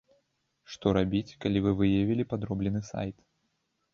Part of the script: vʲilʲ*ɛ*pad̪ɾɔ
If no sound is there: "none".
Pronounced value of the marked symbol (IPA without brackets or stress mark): i